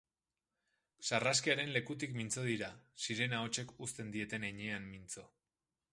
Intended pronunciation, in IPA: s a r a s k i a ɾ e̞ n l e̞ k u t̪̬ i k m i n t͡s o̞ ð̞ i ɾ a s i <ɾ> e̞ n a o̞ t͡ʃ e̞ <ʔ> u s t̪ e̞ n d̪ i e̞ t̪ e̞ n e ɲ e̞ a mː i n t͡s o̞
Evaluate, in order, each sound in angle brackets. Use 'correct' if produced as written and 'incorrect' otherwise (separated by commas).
correct, incorrect